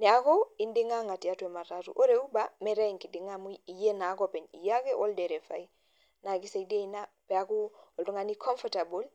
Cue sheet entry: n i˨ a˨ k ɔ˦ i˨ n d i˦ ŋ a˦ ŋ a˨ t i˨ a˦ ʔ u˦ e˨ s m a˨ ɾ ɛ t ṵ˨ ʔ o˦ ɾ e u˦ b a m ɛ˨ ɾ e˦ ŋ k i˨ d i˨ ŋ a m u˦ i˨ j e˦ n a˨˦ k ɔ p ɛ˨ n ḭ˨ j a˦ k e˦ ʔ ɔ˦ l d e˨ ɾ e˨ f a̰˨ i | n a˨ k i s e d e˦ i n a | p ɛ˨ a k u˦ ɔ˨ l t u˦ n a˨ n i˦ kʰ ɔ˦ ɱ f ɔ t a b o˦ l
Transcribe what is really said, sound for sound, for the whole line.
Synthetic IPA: n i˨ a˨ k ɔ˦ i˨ n d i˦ ŋ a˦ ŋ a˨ t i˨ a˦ t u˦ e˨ m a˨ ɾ a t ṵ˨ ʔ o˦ ɾ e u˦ b a m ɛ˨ ɾ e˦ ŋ k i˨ d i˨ ŋ a m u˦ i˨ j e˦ n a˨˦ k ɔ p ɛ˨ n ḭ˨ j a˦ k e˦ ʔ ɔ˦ l d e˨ ɾ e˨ f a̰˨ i | n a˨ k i s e d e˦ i n a | p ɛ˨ a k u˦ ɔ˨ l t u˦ ŋ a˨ n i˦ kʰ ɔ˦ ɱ f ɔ t a b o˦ l